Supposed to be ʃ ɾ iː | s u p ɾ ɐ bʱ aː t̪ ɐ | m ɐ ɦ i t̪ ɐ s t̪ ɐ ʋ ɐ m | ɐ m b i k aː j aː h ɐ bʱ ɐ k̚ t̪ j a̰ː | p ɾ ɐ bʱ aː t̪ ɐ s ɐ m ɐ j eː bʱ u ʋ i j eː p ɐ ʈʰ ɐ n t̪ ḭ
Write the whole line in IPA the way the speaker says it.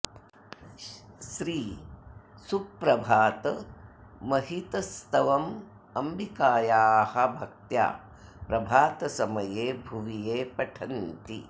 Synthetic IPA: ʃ ɾ iː | s u p ɾ ɐ bʱ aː t̪ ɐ | m ɐ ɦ i t̪ ɐ s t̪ ɐ ʋ ɐ m | ɐ m b i k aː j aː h ɐ bʱ ɐ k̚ t̪ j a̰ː | p ɾ ɐ bʱ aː t̪ ɐ s ɐ m ɐ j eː bʱ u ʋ i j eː p ɐ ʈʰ ɐ n t̪ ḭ